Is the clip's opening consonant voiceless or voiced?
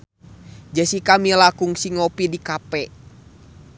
voiced